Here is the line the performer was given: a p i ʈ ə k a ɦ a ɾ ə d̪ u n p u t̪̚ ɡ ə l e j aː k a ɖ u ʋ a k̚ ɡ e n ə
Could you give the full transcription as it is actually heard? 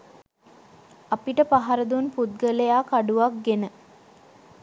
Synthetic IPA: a p i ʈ ə p a ɦ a ɾ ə d̪ u n p u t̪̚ ɡ ə l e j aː k a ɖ u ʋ a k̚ ɡ e n ə

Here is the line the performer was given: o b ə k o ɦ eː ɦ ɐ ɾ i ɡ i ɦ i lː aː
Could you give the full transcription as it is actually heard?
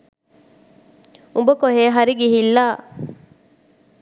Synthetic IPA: u b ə k o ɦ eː ɦ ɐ ɾ i ɡ i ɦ i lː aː

